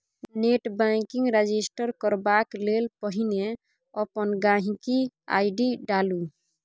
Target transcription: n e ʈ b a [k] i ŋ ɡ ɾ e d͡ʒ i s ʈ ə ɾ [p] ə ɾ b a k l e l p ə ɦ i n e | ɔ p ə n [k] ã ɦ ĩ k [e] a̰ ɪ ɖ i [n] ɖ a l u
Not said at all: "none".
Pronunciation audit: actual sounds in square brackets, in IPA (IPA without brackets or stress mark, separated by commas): k, k, ɡ, i, none